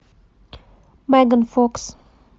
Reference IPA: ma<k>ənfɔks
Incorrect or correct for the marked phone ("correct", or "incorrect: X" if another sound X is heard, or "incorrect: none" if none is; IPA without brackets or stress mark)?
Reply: incorrect: ɡ